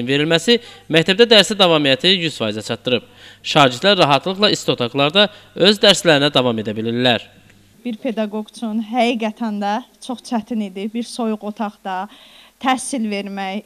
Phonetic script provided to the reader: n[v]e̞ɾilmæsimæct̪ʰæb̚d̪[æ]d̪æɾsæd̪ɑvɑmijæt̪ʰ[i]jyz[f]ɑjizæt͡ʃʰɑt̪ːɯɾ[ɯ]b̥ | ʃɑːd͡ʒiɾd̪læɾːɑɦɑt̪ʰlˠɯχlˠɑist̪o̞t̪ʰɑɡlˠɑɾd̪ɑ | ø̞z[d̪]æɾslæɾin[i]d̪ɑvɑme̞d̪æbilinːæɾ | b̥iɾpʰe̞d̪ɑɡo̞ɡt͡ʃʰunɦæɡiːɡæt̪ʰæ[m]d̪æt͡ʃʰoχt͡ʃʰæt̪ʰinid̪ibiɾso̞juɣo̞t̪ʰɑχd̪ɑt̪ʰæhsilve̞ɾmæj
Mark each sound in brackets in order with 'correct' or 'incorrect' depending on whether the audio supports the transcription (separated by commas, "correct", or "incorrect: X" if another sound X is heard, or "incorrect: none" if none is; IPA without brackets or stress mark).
correct, correct, correct, correct, correct, correct, incorrect: æ, incorrect: n